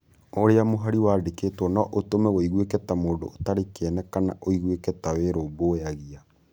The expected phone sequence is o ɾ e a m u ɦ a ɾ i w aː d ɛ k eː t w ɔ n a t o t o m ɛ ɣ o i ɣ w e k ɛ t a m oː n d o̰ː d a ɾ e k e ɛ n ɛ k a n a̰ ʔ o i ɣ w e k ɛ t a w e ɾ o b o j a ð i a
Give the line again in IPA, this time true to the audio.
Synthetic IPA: o ɾ e a m o ɦ a ɾ i w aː d e k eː t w ɔ n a ʔ o t o m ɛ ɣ o i ɣ w e k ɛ t a m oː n d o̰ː t a ɾ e k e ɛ n ɛ k a n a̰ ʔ o i ɣ w e k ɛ t a w e ɾ o b o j a ɣ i a